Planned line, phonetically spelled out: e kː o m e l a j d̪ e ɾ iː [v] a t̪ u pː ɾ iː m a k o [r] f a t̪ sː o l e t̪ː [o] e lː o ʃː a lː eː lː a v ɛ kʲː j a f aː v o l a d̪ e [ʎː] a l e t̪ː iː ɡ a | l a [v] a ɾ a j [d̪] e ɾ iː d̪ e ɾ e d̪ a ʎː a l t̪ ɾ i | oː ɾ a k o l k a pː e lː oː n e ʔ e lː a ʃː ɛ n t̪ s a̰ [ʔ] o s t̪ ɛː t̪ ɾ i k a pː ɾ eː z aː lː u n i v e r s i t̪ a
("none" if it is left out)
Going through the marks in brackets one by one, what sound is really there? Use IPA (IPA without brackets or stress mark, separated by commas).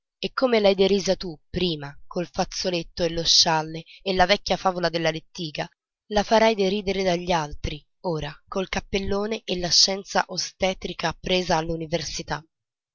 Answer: z, l, o, lː, f, d̪, ʔ